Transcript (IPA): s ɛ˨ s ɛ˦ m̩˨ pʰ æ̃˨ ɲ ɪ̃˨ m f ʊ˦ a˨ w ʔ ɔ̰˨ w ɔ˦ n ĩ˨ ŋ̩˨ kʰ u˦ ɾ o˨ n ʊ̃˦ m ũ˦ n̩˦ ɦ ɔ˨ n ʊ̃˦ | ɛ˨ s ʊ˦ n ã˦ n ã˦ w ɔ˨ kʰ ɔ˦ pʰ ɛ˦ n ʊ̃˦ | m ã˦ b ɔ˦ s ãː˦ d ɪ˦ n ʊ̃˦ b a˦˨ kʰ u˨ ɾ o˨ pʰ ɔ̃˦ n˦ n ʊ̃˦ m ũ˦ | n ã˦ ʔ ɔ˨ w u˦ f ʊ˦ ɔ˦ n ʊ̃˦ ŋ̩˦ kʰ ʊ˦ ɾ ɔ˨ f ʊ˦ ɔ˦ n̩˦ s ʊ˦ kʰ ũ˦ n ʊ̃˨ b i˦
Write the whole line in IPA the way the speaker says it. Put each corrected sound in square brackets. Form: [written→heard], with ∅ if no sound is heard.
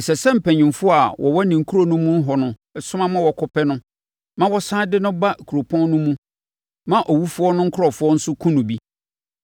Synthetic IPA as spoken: s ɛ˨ s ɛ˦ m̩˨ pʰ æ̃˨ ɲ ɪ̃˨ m f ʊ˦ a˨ w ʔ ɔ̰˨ w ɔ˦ n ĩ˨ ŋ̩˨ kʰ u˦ ɾ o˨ n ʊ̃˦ m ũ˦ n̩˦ ɦ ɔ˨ n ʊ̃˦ | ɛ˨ s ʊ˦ [n→m] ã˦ [n→m] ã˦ w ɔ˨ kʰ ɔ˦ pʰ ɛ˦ n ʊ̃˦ | m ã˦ [b→w] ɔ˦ s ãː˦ d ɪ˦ n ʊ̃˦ b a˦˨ kʰ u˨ ɾ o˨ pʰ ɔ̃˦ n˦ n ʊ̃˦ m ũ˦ | [n→m] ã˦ ʔ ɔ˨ w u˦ f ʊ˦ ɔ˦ n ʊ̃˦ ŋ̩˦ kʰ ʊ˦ ɾ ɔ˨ f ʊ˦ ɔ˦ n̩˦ s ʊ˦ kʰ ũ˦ n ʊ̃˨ b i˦

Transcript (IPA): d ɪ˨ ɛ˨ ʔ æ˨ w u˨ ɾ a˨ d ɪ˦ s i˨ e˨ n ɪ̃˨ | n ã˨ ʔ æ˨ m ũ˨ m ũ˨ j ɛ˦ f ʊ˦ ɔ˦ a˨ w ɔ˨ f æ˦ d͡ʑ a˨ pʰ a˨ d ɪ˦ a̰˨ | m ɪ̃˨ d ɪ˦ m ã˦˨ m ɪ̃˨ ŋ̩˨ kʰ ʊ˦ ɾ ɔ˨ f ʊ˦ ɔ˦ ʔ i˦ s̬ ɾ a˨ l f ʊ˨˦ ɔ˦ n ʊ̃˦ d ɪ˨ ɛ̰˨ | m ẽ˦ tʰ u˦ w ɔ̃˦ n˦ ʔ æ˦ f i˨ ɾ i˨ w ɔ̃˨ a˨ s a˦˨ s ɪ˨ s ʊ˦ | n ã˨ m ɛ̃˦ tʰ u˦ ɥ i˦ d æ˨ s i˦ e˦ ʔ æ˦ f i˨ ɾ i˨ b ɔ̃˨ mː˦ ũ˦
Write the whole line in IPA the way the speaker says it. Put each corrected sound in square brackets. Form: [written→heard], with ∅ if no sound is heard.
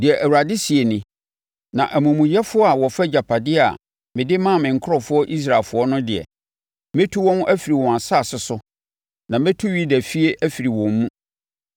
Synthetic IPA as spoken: d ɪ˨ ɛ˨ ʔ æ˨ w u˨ ɾ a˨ d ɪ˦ s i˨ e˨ n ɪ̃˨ | n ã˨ ʔ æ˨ m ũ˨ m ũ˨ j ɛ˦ f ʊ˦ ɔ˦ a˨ w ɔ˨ f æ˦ d͡ʑ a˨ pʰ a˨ d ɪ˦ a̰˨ | m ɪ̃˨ d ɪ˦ m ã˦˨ m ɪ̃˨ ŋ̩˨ kʰ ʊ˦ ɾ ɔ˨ f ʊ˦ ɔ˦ ʔ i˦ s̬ ɾ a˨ l f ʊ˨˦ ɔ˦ n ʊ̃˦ d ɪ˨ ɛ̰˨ | m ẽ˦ tʰ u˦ w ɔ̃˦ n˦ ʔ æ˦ f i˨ ɾ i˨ w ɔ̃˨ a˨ s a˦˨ s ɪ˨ s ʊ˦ | n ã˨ m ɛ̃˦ tʰ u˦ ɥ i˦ d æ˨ [s→f] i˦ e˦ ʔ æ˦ f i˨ ɾ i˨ [b→w] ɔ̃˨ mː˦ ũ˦

